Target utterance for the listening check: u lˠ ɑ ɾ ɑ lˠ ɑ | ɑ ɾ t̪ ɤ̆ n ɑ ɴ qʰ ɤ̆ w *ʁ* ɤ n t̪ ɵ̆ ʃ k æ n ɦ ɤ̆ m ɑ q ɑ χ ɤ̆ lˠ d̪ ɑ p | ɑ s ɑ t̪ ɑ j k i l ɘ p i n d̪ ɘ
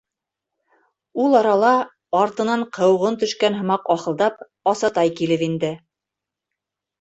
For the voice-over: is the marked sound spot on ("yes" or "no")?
yes